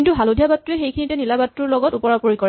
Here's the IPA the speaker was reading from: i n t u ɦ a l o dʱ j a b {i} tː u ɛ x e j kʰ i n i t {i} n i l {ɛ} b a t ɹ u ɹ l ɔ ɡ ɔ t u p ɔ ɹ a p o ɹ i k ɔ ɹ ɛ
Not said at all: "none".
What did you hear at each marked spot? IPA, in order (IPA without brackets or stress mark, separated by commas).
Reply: a, ɛ, a